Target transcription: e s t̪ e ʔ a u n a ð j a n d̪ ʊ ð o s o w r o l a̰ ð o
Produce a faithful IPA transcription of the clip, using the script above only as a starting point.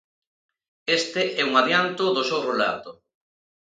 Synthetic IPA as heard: e s t̪ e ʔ ɛ u ŋ a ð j a n t̪ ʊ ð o s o w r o l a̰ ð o

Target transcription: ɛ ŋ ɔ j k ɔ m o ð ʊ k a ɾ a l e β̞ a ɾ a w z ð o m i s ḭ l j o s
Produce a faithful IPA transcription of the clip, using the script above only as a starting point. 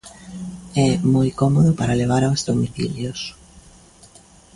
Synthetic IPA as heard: ɛ m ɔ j k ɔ m o ð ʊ p a ɾ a l e β̞ a ɾ a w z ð o m i θ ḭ l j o s

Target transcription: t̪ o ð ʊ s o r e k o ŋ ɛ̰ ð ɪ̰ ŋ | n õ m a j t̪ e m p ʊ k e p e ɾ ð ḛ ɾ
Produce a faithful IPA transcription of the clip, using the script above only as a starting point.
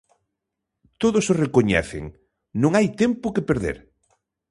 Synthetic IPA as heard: t̪ o ð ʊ s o r e k o ɲ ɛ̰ θ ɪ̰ ŋ | n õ ŋ a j t̪ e m p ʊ k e p e ɾ ð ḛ ɾ

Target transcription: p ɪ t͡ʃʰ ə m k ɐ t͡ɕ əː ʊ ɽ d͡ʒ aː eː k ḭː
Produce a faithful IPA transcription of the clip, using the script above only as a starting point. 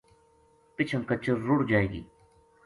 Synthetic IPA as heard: p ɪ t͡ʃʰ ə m k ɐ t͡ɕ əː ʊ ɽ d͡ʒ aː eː ɡ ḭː

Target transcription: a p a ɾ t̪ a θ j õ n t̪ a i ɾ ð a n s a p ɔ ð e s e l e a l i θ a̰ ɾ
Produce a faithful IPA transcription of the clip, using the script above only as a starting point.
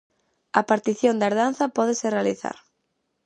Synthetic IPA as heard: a p a ɾ t̪ i θ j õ n d̪ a e ɾ ð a n θ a p ɔ ð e s e r e a l i θ a̰ ɾ

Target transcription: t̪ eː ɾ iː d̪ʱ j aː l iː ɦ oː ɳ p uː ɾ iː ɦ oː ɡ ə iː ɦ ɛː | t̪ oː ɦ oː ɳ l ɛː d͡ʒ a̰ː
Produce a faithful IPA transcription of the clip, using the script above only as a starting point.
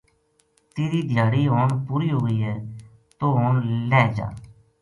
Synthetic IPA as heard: t̪ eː ɾ iː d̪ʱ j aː ɽ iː ɦ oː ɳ p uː ɾ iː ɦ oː ɡ ə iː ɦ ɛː | t̪ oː ɦ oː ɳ l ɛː d͡ʒ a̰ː

